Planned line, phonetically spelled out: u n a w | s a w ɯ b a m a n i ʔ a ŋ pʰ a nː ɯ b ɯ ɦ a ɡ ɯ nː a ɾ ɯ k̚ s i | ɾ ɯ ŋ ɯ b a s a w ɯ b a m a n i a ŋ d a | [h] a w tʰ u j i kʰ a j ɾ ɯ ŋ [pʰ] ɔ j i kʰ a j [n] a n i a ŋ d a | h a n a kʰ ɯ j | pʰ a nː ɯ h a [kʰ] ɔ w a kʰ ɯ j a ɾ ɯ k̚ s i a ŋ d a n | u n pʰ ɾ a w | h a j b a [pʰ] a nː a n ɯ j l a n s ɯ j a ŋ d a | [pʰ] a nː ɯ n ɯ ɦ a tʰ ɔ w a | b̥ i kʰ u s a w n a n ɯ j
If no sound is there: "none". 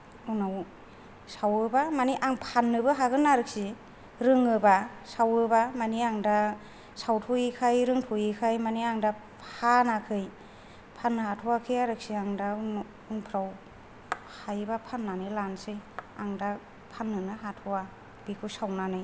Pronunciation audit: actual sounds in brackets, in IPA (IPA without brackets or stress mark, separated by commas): s, tʰ, m, tʰ, pʰ, pʰ